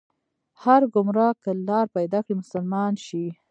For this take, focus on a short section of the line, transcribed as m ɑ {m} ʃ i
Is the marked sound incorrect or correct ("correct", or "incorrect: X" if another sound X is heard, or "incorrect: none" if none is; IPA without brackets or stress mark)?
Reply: incorrect: n